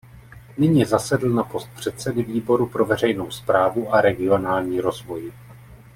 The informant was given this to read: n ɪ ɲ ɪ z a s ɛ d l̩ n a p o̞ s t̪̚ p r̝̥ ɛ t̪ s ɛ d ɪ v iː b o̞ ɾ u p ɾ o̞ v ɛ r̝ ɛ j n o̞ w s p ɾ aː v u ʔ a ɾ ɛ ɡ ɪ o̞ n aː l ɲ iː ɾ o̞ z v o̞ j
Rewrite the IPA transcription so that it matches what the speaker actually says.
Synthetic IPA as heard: n ɪ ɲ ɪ z a s ɛ d l̩ n a p o̞ s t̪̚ p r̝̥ ɛ t̪ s ɛ d ɪ v iː b o̞ ɾ u p ɾ o̞ v ɛ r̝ ɛ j n o̞ w s p ɾ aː v u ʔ a ɾ ɛ ɡ ɪ o̞ n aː l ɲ iː ɾ o̞ z v o̞ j